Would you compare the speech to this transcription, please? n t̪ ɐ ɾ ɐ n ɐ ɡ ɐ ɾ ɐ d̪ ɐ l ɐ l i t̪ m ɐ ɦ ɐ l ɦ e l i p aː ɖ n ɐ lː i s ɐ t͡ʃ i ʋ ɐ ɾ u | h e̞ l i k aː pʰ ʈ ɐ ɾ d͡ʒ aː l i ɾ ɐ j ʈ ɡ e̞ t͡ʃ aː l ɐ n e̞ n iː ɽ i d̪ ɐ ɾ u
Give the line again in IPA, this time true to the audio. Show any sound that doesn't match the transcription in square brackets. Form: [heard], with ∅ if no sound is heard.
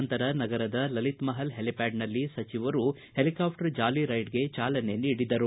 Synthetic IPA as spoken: n t̪ ɐ ɾ ɐ n ɐ ɡ ɐ ɾ ɐ d̪ ɐ l ɐ l i t̪ m ɐ ɦ ɐ l ɦ e l i p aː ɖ n ɐ lː i s ɐ t͡ʃ i ʋ ɐ ɾ u | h e̞ l i k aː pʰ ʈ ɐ ɾ d͡ʒ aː l i ɾ ɐ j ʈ ɡ e̞ t͡ʃ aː l ɐ n e̞ n iː ɽ i d̪ ɐ ɾ u